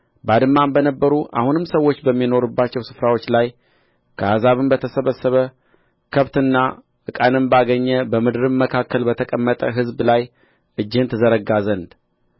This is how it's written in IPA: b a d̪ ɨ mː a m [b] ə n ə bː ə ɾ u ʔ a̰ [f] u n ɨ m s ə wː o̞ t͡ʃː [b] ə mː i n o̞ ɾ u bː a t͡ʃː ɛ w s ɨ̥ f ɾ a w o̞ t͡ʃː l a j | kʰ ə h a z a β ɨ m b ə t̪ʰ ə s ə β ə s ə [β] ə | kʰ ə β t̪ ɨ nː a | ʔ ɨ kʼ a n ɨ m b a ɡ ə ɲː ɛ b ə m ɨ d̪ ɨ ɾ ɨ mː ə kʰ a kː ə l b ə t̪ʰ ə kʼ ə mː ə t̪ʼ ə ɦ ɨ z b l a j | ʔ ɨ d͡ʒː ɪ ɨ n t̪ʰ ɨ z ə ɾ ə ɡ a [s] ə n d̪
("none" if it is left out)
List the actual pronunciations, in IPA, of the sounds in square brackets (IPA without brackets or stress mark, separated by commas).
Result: b, h, b, β, z